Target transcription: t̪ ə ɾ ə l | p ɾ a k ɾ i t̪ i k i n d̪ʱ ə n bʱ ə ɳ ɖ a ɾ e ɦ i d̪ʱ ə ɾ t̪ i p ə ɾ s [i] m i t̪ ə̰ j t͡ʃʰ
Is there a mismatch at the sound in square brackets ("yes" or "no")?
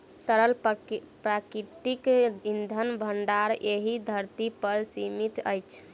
no